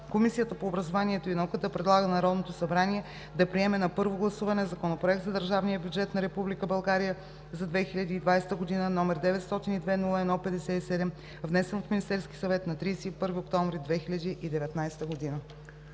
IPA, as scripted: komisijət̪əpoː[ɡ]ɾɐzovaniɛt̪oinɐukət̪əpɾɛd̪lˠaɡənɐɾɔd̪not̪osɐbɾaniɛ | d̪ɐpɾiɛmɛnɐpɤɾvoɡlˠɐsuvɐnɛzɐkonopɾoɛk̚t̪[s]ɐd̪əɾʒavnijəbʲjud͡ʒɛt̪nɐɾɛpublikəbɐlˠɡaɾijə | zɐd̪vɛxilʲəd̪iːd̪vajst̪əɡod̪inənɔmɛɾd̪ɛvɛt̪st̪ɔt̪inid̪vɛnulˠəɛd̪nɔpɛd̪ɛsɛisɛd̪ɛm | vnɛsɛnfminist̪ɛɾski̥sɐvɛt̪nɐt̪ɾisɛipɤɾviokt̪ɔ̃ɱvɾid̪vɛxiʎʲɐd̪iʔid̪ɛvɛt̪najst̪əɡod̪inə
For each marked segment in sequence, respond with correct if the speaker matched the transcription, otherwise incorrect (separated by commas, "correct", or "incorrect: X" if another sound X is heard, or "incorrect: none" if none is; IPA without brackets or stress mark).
incorrect: b, incorrect: z